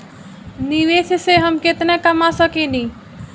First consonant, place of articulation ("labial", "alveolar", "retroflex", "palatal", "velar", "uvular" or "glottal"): alveolar